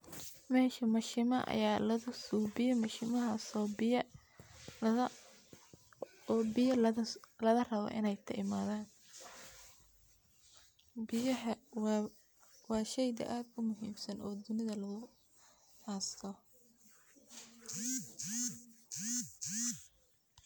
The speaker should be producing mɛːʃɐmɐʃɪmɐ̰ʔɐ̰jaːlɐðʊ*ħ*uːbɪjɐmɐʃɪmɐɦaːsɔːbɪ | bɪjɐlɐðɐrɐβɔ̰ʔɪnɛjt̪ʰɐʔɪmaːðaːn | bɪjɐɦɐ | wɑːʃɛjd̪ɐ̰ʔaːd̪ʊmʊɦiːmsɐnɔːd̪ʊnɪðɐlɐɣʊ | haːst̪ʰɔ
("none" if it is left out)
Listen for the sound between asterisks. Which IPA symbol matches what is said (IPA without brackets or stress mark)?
s